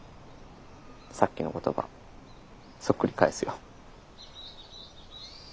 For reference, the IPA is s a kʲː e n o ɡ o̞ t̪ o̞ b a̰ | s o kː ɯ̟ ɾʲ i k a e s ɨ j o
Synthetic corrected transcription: s a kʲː i n o k o̞ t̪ o̞ b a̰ | s o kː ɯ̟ ɾʲ i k a e s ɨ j o

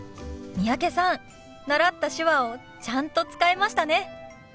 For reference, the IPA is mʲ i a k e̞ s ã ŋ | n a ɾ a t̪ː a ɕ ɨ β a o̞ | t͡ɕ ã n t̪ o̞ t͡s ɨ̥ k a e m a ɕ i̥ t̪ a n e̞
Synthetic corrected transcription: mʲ i a k e̞ s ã n | n a ɾ a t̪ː a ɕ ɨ β a o̞ | t͡ɕ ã n t̪ o̞ t͡s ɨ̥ k a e m a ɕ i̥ t̪ a n e̞

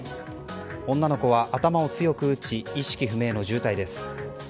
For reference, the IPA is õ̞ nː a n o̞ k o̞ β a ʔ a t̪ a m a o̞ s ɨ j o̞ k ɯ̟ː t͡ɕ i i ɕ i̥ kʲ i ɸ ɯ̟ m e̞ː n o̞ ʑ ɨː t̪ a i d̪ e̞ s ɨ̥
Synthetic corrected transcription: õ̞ nː a n o̞ k o̞ β a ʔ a t̪ a m a o̞ t͡s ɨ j o̞ k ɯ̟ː t͡ɕ i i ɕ i̥ kʲ i ɸ ɯ̟ m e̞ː n o̞ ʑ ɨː t̪ a i d̪ e̞ s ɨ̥

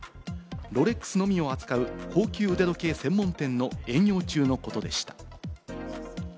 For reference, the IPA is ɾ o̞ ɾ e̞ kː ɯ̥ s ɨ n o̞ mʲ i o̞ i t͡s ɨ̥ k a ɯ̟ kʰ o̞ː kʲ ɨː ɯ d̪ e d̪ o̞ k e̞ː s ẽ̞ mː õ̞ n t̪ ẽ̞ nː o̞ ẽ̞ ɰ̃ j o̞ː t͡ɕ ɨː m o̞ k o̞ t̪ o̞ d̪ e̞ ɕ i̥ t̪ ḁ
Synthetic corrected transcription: ɾ o̞ ɾ e̞ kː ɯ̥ s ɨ n o̞ mʲ i o̞ a t͡s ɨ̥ k a ɯ̟ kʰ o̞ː kʲ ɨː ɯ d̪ e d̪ o̞ k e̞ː s ẽ̞ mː õ̞ n t̪ ẽ̞ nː o̞ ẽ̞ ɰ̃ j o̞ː t͡ɕ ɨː n o̞ k o̞ t̪ o̞ d̪ e̞ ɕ i̥ t̪ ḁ

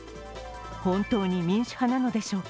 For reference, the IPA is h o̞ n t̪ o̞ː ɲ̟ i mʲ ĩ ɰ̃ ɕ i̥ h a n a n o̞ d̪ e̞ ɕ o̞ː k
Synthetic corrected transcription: h õ̞ n t̪ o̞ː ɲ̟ i mʲ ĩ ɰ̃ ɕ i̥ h a n a n o̞ d̪ e̞ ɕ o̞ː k

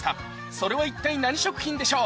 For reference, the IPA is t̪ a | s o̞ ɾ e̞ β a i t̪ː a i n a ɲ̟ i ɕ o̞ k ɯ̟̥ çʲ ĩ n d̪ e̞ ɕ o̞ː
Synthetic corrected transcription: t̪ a | s o̞ ɾ e̞ β a i t̪ː a i n a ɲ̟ i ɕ o̞ k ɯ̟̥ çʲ ĩ n d̪ e̞ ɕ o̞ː

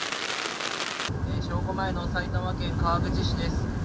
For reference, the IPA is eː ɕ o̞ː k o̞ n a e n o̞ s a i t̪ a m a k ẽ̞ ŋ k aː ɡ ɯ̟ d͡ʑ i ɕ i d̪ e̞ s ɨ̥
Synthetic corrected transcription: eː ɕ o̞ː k o̞ m a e n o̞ s a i t̪ a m a k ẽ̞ ŋ k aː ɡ ɯ̟ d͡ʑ i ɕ i d̪ e̞ s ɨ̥

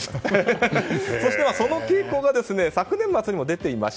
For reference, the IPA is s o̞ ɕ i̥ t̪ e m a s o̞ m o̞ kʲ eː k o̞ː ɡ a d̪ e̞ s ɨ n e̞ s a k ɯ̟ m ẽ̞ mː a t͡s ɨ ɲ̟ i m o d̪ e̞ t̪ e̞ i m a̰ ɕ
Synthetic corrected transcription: s o̞ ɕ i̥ t̪ e m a s o̞ n o̞ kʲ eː k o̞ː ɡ a d̪ e̞ s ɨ n e̞ s a k ɯ̟ n ẽ̞ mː a t͡s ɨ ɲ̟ i m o d̪ e̞ t̪ e̞ i m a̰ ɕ

